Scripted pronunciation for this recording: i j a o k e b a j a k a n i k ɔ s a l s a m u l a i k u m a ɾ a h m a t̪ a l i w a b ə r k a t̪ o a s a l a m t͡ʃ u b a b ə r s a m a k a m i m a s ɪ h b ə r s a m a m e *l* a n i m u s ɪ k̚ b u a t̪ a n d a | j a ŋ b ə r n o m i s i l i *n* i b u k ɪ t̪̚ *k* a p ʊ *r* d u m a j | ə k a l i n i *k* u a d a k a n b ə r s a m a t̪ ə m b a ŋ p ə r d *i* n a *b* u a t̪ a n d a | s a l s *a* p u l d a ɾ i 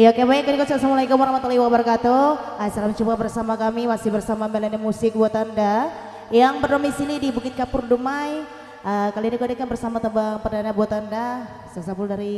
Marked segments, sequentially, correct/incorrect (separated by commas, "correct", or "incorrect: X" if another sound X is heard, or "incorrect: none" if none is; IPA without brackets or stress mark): correct, incorrect: d, correct, correct, correct, incorrect: a, correct, correct